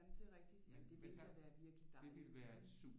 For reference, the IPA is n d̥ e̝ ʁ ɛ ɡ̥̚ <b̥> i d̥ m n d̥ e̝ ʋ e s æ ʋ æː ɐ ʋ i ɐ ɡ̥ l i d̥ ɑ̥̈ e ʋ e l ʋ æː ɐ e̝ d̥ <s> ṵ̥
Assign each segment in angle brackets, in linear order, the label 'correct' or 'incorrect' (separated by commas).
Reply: incorrect, correct